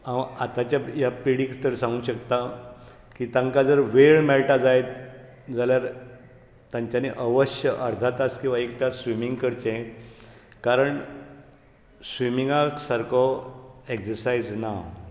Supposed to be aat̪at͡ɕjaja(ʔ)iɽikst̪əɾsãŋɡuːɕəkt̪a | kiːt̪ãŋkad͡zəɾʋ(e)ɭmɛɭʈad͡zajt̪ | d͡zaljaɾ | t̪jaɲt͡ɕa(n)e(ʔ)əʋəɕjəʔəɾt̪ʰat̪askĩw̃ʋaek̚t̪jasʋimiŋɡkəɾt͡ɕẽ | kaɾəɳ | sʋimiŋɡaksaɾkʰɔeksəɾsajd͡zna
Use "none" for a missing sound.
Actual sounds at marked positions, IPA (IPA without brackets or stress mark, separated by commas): p, e, n, ʔ